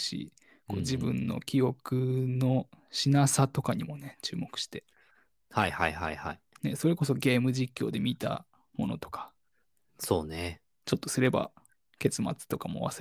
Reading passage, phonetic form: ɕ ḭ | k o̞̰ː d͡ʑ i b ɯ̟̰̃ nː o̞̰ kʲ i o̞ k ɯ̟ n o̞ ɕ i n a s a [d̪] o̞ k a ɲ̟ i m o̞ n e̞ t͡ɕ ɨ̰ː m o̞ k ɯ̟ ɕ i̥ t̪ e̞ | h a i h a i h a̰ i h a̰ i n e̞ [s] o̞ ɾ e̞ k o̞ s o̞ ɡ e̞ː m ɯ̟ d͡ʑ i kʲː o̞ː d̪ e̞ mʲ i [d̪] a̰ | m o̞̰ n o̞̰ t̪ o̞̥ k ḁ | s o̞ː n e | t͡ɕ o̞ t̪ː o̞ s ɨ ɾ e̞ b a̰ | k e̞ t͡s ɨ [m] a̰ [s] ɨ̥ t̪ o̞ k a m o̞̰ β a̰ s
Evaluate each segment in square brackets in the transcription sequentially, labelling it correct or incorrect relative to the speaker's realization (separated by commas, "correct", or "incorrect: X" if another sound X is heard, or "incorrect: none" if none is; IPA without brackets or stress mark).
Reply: incorrect: t̪, correct, incorrect: t̪, correct, incorrect: t͡s